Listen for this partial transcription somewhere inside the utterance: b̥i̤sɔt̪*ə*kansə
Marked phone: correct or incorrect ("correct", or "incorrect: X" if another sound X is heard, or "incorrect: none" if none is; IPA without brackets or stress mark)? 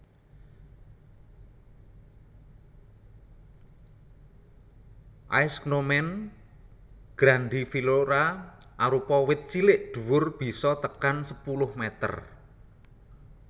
correct